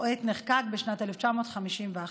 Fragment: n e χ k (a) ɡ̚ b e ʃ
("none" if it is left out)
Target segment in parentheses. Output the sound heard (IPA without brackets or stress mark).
a